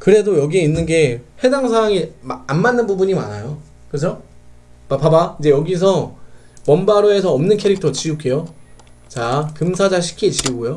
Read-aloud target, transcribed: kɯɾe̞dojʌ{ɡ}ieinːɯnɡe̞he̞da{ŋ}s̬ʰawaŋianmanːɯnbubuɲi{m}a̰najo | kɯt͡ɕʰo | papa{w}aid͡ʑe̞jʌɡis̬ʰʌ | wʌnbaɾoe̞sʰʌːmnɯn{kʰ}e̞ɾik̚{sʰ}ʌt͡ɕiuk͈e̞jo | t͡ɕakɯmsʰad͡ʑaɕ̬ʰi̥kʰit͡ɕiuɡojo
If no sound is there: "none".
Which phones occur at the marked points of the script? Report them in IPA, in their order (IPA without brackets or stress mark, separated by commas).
ɡ, ŋ, m, b, kʰ, tʰ